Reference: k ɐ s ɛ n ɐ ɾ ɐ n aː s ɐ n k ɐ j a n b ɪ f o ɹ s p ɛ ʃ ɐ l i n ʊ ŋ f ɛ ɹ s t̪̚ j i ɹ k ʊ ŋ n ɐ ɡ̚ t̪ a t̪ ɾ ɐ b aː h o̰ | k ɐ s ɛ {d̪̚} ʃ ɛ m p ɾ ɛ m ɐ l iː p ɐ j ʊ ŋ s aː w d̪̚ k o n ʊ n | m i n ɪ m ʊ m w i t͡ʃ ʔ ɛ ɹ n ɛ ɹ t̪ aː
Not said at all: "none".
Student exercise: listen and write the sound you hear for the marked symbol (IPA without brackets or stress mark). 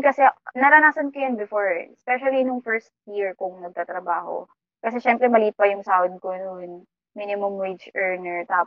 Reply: none